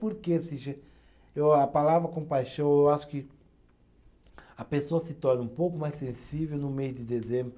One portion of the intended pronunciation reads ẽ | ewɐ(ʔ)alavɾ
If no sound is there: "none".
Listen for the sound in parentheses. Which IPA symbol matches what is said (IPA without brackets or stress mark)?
p